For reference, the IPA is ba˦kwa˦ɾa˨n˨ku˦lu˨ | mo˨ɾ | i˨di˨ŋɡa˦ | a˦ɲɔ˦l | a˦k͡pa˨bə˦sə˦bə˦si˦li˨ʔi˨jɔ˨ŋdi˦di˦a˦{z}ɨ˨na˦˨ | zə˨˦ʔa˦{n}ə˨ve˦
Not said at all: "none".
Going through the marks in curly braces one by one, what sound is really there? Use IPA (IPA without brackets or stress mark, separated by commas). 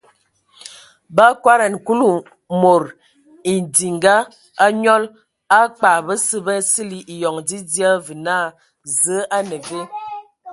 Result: v, n